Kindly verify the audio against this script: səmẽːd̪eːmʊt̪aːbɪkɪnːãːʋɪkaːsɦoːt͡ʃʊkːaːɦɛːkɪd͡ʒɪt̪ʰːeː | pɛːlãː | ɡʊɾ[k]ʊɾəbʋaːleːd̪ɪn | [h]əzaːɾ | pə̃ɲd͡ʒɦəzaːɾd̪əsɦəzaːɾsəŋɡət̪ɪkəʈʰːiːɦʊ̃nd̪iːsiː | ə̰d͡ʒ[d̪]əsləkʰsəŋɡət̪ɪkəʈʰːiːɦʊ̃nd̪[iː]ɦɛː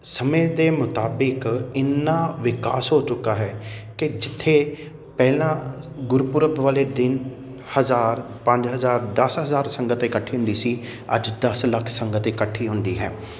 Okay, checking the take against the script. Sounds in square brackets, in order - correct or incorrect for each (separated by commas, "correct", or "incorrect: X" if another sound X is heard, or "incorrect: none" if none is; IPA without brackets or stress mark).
incorrect: p, correct, correct, correct